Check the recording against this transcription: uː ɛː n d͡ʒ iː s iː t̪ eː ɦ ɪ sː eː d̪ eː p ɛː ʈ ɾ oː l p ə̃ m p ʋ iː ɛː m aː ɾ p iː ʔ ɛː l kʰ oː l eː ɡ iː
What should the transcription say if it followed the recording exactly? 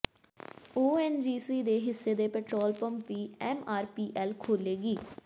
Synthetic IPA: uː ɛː n d͡ʒ iː s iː d̪ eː ɦ ɪ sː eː d̪ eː p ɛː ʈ ɾ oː l p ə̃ m p ʋ iː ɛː m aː ɾ p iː ʔ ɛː l kʰ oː l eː ɡ iː